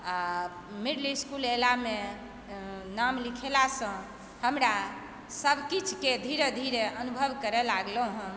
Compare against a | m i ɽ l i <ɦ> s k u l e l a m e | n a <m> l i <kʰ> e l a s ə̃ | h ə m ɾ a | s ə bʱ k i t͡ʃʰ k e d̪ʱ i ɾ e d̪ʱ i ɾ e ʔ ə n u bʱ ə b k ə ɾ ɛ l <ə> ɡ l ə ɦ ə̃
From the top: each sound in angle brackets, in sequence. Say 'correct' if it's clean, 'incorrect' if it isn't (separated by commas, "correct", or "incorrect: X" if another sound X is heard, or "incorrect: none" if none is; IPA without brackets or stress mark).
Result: incorrect: none, correct, correct, incorrect: a